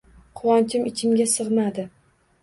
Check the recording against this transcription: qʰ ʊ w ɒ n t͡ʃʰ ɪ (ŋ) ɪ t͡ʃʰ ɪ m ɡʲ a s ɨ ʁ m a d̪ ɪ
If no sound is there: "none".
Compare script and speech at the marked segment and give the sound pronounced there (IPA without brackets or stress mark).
m